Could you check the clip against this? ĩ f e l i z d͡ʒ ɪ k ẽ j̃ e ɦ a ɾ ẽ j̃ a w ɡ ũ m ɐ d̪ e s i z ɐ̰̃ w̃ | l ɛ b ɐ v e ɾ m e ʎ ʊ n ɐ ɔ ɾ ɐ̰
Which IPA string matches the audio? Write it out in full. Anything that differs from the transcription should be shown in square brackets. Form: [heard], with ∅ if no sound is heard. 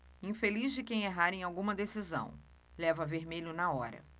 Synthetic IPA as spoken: ĩ f e l i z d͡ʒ ɪ k ẽ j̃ e ɦ a ɾ ẽ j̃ a w ɡ ũ m ɐ d̪ e s i z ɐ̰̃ w̃ | l ɛ [v] ɐ v e ɾ m e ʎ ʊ n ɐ ɔ ɾ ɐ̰